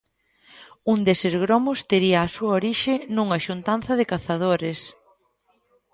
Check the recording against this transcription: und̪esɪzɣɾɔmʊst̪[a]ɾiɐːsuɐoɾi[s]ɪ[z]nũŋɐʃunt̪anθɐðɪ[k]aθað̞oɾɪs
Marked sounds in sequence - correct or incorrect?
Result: incorrect: e, incorrect: ʃ, incorrect: none, correct

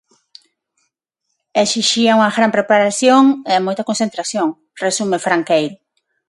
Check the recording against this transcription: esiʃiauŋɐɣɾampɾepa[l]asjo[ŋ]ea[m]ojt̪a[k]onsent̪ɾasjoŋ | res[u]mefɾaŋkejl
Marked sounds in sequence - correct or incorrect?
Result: incorrect: ɾ, correct, correct, correct, correct

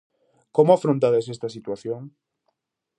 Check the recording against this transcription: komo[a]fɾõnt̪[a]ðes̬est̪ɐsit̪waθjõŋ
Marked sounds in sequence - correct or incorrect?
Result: correct, correct

